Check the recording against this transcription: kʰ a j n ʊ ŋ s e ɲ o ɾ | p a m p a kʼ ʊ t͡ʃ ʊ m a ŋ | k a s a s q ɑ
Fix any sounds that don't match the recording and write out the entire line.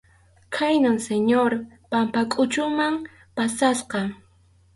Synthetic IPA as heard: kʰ a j n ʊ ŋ s e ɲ o ɾ | p a m p a kʼ ʊ t͡ʃ ʊ m a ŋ | p a s a s q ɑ